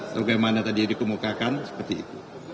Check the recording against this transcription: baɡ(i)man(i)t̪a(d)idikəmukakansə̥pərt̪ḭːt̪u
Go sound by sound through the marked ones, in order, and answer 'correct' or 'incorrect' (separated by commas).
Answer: incorrect, incorrect, correct